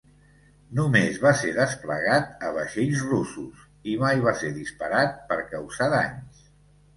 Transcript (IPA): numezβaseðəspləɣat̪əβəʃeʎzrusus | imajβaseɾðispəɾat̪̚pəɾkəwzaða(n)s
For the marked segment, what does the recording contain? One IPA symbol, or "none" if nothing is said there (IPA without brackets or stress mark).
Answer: ɲ